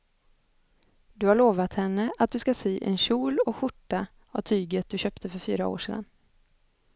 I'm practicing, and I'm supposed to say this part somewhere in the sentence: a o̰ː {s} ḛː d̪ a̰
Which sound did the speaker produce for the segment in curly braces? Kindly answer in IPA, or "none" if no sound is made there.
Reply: ʂ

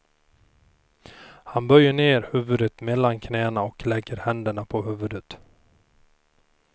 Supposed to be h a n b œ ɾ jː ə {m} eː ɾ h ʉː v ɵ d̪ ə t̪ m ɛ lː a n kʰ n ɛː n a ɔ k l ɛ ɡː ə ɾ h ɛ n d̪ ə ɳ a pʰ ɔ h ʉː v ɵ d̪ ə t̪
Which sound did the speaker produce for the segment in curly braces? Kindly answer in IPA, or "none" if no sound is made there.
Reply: ɳ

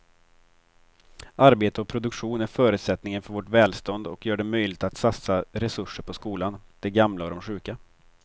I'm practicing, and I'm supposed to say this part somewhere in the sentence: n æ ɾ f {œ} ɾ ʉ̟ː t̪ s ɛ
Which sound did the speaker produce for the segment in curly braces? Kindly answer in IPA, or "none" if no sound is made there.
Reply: œː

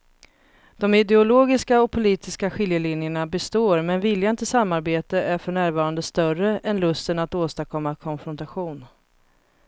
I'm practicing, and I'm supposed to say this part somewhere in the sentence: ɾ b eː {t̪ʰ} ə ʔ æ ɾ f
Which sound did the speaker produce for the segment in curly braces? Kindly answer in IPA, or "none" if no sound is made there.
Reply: t̪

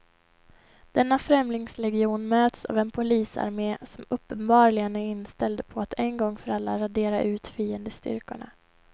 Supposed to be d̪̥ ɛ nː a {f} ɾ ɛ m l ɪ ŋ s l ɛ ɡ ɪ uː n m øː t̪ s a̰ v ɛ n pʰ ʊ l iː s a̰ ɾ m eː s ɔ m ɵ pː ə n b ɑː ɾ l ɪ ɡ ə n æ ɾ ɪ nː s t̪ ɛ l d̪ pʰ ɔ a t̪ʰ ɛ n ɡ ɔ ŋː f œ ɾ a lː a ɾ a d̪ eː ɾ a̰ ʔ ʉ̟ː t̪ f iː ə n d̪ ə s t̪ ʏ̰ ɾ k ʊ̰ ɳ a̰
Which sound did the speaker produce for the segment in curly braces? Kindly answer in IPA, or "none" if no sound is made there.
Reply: f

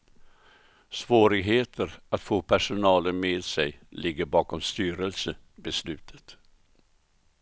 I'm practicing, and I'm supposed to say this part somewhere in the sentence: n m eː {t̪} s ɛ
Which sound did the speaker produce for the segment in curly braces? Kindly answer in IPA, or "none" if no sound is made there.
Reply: d̪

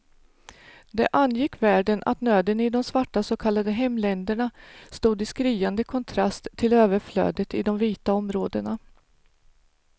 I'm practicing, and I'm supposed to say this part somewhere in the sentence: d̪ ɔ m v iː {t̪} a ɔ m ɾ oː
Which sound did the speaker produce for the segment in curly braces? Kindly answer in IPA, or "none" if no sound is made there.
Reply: t̪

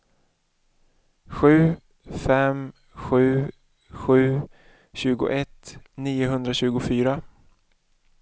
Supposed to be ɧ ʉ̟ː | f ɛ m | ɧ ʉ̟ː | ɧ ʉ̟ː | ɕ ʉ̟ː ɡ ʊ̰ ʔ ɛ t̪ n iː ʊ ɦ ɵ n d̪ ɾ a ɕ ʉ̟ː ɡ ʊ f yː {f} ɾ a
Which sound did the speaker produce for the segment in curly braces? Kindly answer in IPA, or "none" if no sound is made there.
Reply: none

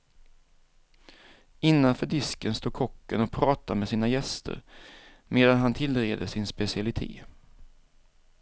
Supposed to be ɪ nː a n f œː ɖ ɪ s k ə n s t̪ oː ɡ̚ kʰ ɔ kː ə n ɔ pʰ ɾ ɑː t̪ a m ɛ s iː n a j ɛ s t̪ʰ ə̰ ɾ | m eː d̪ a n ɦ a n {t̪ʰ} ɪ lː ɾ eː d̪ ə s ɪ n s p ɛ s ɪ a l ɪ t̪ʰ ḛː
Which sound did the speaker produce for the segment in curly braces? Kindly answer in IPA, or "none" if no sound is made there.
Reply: t̪ʰ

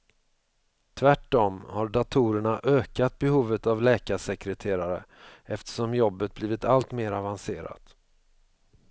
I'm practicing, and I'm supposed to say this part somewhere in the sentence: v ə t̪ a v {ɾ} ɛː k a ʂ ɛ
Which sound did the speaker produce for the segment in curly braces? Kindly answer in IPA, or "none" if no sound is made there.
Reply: l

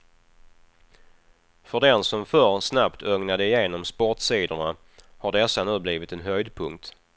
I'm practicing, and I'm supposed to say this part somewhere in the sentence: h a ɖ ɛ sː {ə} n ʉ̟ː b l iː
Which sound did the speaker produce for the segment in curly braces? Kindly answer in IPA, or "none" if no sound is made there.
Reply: a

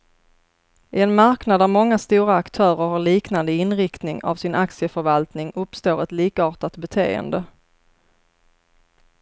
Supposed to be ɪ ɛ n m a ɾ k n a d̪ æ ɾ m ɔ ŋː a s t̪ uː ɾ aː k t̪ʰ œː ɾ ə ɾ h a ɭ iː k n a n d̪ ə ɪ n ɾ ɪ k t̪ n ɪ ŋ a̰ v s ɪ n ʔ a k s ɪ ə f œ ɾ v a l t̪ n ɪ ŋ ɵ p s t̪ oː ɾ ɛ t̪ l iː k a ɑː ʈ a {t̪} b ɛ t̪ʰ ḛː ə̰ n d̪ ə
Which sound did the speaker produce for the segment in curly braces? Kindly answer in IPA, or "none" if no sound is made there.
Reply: t̪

